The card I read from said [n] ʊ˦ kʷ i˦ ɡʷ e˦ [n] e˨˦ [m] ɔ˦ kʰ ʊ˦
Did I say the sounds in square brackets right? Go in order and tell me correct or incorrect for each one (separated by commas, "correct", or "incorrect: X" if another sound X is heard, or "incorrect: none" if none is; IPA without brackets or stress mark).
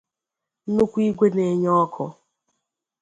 correct, correct, incorrect: ɲ